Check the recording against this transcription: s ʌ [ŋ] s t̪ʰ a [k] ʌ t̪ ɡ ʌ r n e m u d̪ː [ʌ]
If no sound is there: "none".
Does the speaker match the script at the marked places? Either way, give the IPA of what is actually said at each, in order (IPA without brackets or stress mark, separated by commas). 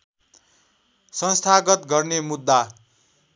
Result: n, ɡ, a